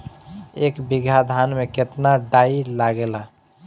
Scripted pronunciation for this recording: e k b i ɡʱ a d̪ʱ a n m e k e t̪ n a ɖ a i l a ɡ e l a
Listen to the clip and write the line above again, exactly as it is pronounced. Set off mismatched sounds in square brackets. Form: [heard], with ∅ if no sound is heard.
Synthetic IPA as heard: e k b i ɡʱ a d̪ʱ a n m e k e t̪ n a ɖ a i l a ɡ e l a